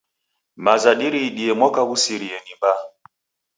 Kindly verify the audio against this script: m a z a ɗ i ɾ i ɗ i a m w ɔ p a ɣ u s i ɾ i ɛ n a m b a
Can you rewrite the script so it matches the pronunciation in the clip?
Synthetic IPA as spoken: m a z a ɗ i ɾ i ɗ i ɛ m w ɔ k a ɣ u s i ɾ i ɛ n i m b a